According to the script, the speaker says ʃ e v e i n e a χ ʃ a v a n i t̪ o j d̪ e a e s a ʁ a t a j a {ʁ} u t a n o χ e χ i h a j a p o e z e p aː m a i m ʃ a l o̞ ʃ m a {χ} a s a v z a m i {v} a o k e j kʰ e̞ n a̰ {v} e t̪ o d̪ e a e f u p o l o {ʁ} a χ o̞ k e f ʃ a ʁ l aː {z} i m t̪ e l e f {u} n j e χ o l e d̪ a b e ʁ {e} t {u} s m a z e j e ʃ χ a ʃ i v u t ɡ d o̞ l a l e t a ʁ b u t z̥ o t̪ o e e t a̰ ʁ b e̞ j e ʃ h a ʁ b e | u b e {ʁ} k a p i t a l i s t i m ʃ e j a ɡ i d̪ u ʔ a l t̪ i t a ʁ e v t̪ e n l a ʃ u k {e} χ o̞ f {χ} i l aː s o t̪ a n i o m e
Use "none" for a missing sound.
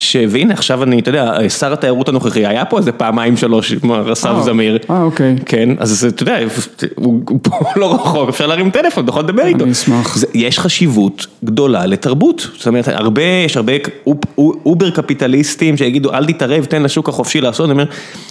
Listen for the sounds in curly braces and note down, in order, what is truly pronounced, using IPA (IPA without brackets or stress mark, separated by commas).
ʁ, ʁ, ʁ, z, ʁ, ʁ, o, i, o, ʁ, a, ʃ